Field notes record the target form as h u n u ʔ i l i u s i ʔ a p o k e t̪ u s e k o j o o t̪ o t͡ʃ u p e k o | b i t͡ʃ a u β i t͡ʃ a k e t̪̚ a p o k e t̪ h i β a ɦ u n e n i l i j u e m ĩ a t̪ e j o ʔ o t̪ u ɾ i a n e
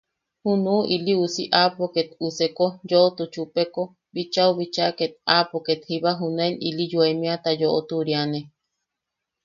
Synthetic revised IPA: h u n u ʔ i l i u s i ʔ a p o k e t̪ u s e k o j o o t̪ u t͡ʃ u p e k o | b i t͡ʃ a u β i t͡ʃ a k e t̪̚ a p o k e t̪ h i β a ɦ u n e n i l i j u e m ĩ a t̪ a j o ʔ o t̪ u ɾ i a n e